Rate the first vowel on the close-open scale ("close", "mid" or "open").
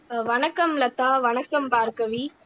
open